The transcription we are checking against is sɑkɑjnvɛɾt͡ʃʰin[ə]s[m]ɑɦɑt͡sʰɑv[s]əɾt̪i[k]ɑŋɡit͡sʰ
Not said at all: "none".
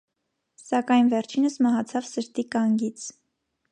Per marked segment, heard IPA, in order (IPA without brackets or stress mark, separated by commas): ə, m, s, k